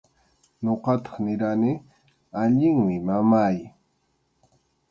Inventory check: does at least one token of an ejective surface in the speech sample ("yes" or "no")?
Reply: no